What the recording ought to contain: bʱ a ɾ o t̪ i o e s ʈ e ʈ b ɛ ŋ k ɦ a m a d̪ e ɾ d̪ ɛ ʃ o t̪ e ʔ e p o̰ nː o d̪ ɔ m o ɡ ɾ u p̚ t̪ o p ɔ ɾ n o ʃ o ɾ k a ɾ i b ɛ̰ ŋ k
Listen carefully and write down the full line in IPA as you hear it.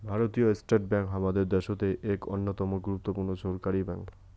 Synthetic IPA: bʱ a ɾ o t̪ i o e s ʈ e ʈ b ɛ ŋ k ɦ a m a d̪ e ɾ d̪ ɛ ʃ o t̪ e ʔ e k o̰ nː o t̪ ɔ m o ɡ ɾ u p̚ t̪ o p u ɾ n o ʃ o ɾ k a ɾ i b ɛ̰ ŋ k